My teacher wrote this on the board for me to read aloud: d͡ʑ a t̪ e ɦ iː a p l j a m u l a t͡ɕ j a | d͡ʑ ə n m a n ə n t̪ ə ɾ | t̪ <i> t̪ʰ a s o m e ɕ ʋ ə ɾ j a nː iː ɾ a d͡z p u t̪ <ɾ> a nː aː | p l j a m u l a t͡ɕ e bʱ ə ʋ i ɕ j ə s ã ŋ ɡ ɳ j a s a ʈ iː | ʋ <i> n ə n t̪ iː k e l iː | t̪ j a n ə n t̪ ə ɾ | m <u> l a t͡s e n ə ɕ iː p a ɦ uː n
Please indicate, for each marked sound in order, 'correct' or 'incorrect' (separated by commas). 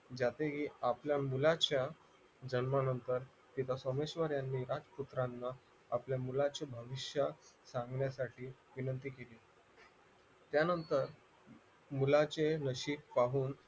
correct, correct, correct, correct